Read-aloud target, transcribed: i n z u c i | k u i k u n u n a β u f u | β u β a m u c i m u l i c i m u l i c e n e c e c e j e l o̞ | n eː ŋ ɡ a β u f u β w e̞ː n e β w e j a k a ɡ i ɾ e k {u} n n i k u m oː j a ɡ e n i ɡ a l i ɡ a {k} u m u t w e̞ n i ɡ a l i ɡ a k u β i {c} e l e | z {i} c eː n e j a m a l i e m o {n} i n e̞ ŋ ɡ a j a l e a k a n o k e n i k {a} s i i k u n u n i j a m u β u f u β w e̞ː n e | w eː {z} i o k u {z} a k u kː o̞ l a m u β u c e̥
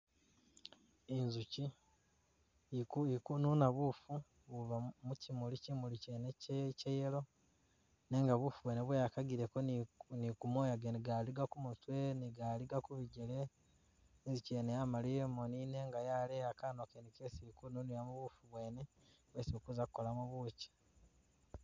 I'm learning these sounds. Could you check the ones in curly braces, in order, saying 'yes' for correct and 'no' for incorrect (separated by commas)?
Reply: no, yes, no, yes, yes, no, no, yes